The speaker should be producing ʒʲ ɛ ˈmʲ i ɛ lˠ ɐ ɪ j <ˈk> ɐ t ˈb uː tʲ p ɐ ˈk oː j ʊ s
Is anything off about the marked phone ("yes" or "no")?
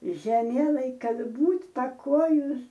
no